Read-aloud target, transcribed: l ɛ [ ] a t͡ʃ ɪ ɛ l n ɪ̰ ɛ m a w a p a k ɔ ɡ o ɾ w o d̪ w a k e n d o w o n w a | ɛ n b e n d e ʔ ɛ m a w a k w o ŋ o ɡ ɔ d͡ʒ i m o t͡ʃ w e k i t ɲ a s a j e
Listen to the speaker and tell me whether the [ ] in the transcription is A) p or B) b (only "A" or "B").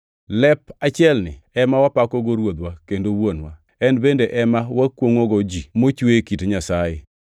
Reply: A